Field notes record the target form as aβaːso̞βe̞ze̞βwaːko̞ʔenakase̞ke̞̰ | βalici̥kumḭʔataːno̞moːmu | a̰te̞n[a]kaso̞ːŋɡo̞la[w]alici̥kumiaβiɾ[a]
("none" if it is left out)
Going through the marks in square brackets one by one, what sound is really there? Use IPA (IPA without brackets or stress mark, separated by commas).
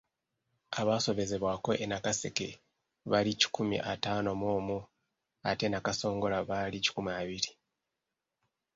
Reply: a, β, i